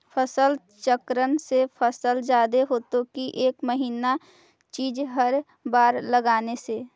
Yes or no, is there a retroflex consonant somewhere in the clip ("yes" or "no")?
no